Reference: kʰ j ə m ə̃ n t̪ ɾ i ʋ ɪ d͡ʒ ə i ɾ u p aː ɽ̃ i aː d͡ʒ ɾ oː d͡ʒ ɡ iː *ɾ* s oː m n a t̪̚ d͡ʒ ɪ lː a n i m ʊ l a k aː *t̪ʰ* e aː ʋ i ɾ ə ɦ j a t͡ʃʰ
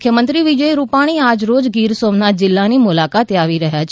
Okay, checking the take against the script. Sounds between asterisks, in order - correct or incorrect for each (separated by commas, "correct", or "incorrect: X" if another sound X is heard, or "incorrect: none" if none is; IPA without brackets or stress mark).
correct, incorrect: t̪